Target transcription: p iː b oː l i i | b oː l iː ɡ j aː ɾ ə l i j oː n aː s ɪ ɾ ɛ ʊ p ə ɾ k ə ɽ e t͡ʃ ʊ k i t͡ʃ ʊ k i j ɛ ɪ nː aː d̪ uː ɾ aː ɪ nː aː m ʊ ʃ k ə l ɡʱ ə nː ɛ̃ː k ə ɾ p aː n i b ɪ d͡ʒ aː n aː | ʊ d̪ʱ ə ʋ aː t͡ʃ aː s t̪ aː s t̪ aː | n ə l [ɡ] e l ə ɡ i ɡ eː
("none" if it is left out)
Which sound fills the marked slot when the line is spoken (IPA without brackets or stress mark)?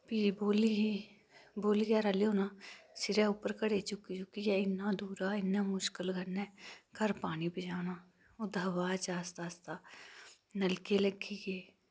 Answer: k